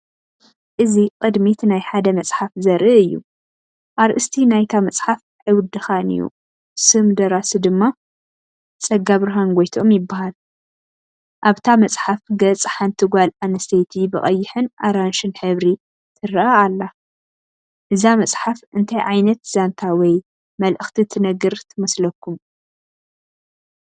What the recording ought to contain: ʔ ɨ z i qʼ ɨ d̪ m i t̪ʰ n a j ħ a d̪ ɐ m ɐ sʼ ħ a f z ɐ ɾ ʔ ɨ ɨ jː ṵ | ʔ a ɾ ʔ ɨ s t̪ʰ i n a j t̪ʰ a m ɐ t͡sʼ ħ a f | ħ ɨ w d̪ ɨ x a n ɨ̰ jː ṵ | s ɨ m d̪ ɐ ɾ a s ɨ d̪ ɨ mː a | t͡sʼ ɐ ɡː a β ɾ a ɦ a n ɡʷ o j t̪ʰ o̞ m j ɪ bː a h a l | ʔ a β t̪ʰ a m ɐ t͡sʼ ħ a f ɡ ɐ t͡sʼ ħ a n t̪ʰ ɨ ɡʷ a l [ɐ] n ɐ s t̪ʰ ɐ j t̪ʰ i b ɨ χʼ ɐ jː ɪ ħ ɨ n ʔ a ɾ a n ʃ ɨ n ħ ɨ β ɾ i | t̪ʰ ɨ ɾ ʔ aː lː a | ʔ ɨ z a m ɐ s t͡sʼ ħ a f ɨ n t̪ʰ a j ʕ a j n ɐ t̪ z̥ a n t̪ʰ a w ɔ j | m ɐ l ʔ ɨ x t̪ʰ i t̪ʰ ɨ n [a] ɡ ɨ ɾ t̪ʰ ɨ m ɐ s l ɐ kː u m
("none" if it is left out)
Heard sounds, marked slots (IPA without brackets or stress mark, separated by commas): a, ɐ